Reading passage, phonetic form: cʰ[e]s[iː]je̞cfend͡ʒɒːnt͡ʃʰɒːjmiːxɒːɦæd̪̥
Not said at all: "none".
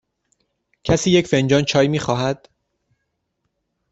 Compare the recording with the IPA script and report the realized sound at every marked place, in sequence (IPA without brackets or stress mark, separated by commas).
æ, iː